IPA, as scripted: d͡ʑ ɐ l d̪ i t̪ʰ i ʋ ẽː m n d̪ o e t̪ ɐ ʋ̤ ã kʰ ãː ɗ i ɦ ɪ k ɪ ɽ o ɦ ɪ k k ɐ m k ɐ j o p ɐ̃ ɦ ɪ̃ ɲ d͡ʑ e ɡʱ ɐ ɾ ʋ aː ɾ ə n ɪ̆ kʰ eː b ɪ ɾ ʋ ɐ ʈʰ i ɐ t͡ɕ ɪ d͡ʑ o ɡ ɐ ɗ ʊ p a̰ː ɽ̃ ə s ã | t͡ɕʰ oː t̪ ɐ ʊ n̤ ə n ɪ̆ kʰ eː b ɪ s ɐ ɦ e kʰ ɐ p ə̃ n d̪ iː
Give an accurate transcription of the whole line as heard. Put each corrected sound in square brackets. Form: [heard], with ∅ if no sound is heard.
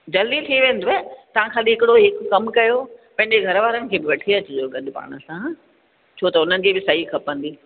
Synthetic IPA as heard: d͡ʑ ɐ l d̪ i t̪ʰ i ʋ ẽː [∅] n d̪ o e t̪ ɐ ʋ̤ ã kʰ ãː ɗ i ɦ ɪ k ɪ ɽ o ɦ ɪ k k ɐ m k ɐ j o p ɐ̃ ɦ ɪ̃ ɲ d͡ʑ e ɡʱ ɐ ɾ ʋ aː ɾ ə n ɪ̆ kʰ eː b ɪ [∅] ʋ ɐ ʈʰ i ɐ t͡ɕ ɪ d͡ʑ o ɡ ɐ ɗ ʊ p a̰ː ɽ̃ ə s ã | t͡ɕʰ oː t̪ ɐ ʊ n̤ ə n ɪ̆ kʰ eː b ɪ s ɐ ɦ [i] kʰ ɐ p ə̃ n d̪ iː